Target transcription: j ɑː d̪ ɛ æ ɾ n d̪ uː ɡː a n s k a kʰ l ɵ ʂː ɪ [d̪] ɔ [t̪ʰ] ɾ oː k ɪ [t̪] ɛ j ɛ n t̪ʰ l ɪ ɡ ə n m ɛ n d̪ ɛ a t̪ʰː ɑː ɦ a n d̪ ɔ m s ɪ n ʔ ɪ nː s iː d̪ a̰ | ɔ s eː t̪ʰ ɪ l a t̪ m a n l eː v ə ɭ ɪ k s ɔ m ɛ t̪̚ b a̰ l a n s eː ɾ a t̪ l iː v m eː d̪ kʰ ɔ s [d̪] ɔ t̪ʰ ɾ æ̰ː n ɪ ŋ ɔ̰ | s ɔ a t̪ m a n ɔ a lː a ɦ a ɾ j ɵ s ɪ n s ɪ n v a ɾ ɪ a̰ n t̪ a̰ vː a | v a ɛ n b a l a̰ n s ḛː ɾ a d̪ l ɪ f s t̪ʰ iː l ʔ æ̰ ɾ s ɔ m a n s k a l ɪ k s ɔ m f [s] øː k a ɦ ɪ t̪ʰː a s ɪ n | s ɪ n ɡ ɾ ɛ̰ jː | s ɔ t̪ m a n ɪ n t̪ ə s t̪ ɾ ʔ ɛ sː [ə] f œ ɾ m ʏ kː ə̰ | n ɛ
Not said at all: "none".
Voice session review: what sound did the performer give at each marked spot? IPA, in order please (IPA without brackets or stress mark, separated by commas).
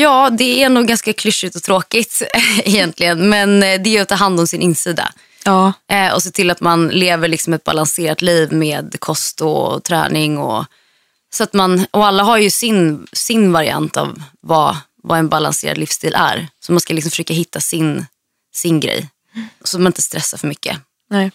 t̪, t̪ʰ, t̪, t̪, ʂ, a